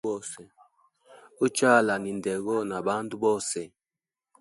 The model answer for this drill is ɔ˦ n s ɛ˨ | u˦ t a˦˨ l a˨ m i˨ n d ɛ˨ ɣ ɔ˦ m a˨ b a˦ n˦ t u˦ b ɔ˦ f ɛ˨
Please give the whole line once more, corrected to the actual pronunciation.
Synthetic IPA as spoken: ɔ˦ s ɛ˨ | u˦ t͡ʃ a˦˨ l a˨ n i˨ n d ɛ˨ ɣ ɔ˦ n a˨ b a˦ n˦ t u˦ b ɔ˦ s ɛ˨